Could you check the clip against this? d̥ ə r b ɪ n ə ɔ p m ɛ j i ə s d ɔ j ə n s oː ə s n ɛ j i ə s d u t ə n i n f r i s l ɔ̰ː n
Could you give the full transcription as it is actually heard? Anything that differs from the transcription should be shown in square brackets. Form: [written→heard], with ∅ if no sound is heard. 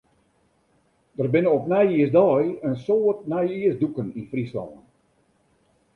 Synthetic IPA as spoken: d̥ ə r b ɪ n ə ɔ p [m→n] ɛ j i ə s d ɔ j ə n s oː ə [s→t] n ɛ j i ə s d u [t→k] ə n i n f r i s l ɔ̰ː n